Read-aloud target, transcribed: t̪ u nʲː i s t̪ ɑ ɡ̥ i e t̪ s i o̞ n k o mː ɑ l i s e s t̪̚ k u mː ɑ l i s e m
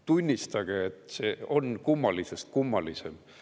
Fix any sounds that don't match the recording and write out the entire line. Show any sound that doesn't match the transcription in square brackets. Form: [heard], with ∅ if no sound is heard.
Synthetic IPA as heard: t̪ u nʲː i s t̪ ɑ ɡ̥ [e] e t̪ s [e] o̞ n k [u] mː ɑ l i s e s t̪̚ k u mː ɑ l i s e m

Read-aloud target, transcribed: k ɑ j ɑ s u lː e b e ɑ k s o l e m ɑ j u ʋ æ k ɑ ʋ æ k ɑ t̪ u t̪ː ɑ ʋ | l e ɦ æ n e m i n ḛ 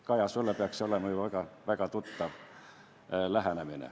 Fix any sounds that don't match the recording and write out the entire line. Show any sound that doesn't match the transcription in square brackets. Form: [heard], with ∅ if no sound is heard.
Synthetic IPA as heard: k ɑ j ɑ s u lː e [p] e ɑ k s o l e m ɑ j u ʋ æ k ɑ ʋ æ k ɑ t̪ u t̪ː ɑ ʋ | l [æ] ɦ æ n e m i n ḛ

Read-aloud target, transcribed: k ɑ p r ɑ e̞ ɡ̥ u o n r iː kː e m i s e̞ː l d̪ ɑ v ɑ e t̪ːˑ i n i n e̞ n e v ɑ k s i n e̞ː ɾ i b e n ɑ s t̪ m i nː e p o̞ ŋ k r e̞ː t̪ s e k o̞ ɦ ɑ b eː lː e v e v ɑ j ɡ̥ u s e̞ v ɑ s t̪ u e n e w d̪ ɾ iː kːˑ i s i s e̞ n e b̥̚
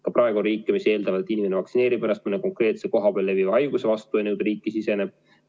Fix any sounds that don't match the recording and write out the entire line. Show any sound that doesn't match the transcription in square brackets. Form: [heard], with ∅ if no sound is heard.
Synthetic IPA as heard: k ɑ p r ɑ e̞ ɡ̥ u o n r iː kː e m i s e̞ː l d̪ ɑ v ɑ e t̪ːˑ i n i [m] e̞ n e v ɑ k s i n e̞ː ɾ i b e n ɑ s t̪ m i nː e [k] o̞ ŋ k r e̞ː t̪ s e k o̞ ɦ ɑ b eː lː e v [i] v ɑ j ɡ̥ u s e̞ v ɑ s t̪ u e n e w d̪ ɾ iː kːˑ i s i s e̞ n e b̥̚

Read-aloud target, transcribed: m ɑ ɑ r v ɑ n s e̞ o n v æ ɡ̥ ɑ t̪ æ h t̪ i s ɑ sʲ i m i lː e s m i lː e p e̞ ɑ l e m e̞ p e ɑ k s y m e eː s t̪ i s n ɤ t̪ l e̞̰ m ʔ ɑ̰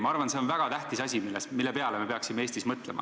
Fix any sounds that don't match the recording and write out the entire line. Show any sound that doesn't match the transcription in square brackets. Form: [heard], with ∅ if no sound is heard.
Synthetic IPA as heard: m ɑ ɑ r v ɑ n s e̞ o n v æ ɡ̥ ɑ t̪ æ h t̪ i s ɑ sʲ i m i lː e s m i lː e p e̞ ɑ l e m e̞ p e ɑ k s [i] m e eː s t̪ i s [m] ɤ t̪ l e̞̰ m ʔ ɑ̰

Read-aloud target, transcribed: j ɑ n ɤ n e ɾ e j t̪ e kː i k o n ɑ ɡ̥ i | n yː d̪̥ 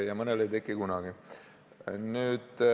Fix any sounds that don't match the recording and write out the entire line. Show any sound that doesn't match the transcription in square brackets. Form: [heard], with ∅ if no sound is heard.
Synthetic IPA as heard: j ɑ [m] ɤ n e [l] e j t̪ e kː i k [u] n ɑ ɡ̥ i | n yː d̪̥

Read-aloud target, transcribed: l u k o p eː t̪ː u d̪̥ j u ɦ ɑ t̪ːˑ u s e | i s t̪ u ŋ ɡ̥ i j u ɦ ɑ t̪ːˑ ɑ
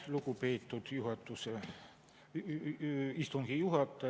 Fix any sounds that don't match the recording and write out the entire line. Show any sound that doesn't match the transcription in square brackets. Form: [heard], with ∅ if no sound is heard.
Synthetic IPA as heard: l u k [u] p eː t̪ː u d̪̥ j u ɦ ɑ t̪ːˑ u s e | i s t̪ u ŋ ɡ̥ i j u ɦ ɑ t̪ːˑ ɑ

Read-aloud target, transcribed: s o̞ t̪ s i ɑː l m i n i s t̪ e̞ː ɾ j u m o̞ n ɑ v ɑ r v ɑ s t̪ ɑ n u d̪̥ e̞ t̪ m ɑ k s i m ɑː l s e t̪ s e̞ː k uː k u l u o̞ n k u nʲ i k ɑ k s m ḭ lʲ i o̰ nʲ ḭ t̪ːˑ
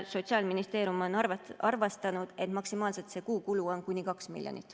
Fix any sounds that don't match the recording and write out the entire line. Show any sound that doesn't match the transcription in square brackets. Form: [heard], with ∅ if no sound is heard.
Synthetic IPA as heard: s o̞ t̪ s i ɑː l m i n i s t̪ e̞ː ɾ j u m o̞ n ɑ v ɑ r v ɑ s t̪ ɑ n u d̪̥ e̞ t̪ m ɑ k s i m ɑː l s e t̪ s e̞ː k uː k u l u o̞ n k u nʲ i k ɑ k s m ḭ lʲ [j] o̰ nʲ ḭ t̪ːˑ

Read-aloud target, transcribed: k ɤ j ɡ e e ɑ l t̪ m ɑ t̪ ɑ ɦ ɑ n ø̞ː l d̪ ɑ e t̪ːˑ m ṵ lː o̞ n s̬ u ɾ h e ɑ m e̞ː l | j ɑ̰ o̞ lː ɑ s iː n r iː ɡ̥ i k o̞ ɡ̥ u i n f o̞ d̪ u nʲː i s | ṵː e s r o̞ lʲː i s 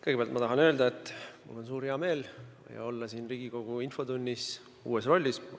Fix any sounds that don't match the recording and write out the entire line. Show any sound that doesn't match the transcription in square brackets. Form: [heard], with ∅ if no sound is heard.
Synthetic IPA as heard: k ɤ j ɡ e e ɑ l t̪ m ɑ t̪ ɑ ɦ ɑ n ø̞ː l d̪ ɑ e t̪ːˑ m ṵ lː o̞ n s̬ [uː] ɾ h e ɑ m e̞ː l | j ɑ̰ o̞ lː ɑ s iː n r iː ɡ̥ i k o̞ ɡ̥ u i n f o̞ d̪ u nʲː i s | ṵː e s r o̞ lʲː i s

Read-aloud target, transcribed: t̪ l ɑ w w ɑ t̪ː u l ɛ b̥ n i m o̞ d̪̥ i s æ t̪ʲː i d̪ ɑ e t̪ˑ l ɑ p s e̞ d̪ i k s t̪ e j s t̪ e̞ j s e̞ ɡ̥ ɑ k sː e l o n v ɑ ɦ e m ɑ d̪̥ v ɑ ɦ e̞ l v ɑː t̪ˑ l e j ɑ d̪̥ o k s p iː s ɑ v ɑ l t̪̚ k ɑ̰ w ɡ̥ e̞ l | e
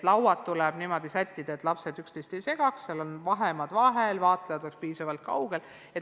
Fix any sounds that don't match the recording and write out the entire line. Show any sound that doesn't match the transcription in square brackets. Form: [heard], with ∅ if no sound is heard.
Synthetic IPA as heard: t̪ l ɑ w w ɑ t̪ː u l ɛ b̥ n i m o̞ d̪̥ i s æ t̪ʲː i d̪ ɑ e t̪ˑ l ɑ p s e̞ d̪ [y] k s t̪ e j s t̪ e̞ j s e̞ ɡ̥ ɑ k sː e l o n v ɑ ɦ e m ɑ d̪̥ v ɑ ɦ e̞ l v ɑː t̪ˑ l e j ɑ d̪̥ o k s p iː s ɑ v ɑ l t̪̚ k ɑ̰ w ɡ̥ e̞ l | e

